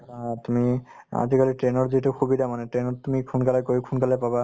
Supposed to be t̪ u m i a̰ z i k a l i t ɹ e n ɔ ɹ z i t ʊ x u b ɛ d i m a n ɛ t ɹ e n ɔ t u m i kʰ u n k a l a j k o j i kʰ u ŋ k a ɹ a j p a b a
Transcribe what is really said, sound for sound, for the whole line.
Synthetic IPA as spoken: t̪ u m i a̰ z i k a l i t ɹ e n ɔ ɹ z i t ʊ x u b i d a m a n ɛ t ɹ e n ɔ t u m i kʰ u n k a l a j k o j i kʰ u n k a l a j p a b a

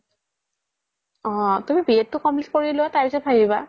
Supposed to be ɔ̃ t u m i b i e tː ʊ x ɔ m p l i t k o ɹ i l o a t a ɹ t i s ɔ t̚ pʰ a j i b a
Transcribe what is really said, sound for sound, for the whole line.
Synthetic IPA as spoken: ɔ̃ t u m i b i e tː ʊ k ɔ m p l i t k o ɹ i l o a t a ɹ p i s ɔ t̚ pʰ a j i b a

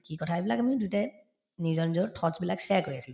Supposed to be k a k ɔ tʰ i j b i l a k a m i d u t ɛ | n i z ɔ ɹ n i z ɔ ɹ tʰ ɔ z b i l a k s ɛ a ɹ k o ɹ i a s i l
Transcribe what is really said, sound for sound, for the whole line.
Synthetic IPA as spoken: k i k ɔ tʰ a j b i l a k a m i d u t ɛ | n i z ɔ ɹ n i z ɔ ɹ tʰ ɔ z b i l a k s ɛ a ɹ k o ɹ i a s i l

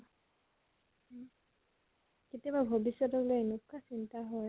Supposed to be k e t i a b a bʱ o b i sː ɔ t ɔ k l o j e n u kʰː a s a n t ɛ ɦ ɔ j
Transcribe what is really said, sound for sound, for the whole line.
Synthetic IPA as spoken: k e t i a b a bʱ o b i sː ɔ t ɔ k l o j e n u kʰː a s i n t a ɦ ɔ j

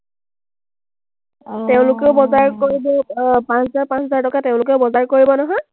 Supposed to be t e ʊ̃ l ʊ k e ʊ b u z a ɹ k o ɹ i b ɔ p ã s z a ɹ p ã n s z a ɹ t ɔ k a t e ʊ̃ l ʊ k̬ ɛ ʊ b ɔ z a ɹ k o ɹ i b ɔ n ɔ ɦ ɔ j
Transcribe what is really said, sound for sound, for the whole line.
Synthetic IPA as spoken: t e ʊ̃ l ʊ k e ʊ b ɔ z a ɹ k o ɹ i b ɔ p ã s z a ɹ p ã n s z a ɹ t ɔ k a t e ʊ̃ l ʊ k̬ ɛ ʊ b ɔ z a ɹ k o ɹ i b ɔ n ɔ ɦ ɔ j

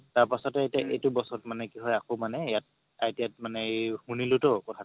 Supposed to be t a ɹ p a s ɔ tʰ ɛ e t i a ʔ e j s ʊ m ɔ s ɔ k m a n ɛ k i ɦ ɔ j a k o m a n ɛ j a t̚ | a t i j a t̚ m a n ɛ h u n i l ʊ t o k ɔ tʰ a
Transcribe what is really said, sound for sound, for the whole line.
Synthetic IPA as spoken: t a ɹ p a s ɔ t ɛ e t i a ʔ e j t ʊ b ɔ s ɔ t m a n ɛ k i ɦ ɔ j a k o m a n ɛ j a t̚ | a t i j a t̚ m a n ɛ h u n i l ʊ t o k ɔ tʰ a

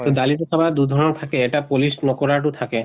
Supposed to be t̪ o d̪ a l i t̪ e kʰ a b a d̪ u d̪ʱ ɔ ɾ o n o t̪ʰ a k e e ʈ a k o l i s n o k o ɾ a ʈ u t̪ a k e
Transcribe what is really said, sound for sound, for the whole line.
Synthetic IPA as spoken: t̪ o d̪ a l i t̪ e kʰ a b a d̪ u d̪ʱ ɔ ɾ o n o t̪ʰ a k e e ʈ a p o l i s n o k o ɾ a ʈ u t̪ʰ a k e

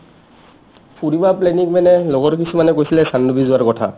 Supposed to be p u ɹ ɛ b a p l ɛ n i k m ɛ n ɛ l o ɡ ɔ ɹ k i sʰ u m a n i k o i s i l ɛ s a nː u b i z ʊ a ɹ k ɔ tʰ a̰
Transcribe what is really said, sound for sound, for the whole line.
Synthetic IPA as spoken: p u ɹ i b a p l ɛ n i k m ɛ n ɛ l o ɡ ɔ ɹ k i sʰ u m a n ɛ k o j s i l ɛ s a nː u b i z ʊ a ɹ k ɔ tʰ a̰

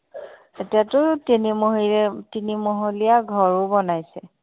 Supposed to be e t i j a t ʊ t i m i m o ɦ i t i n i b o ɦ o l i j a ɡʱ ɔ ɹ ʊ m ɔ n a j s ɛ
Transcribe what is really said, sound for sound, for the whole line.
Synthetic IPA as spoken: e t i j a t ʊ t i n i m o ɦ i t i n i m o ɦ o l i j a ɡʱ ɔ ɹ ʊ b ɔ n a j s ɛ

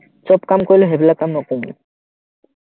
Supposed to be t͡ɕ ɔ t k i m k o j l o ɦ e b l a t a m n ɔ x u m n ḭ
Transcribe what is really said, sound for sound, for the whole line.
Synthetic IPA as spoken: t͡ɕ ɔ p k a m k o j l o ɦ e b l a k a m n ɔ k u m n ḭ

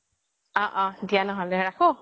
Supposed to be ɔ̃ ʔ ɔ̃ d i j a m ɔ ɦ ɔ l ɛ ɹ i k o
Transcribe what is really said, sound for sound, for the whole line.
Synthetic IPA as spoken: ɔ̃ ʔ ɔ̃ d i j a n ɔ ɦ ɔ l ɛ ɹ a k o

